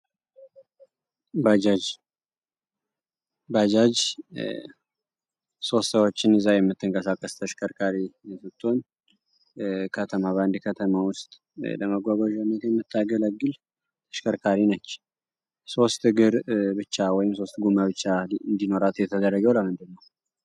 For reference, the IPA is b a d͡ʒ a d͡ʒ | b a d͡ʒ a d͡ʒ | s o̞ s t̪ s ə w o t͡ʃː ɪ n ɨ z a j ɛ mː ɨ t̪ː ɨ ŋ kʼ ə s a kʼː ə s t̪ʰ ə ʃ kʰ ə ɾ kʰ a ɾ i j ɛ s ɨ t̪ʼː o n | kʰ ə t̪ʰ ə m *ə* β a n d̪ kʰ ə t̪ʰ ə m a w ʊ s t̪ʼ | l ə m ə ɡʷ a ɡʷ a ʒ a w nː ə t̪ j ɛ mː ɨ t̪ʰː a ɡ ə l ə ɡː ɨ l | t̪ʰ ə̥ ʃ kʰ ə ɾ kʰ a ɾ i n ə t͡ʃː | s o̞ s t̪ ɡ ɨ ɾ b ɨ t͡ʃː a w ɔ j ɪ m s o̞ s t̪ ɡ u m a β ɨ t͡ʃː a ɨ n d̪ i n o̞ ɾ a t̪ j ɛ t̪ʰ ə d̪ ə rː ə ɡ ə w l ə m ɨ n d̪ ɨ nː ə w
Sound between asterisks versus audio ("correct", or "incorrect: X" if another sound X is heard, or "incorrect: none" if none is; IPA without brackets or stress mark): incorrect: a